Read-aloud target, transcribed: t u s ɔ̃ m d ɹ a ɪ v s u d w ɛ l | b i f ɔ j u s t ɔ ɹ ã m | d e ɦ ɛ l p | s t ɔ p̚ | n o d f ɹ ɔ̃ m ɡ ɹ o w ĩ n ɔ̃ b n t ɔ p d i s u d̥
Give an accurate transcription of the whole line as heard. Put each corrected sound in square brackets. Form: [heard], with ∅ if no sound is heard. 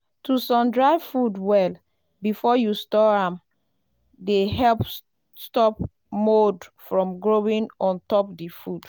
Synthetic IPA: t u s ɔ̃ m d ɹ a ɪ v [f] u d w ɛ l | b i f ɔ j u s t ɔ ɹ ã m | d e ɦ ɛ l p | s t ɔ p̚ | [m] o d f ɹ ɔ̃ m ɡ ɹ o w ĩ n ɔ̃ [∅] n t ɔ p d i [f] u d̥